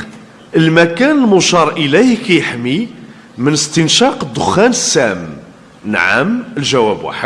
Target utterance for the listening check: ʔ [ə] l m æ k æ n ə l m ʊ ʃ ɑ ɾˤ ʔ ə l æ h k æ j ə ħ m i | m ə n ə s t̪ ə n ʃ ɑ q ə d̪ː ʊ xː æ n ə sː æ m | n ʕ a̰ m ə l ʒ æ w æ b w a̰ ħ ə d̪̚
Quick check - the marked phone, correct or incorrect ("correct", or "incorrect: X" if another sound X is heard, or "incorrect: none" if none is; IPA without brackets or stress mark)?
correct